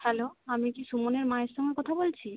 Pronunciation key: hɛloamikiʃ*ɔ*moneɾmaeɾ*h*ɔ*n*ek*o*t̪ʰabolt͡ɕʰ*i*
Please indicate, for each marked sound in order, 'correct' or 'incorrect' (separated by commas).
incorrect, incorrect, incorrect, incorrect, correct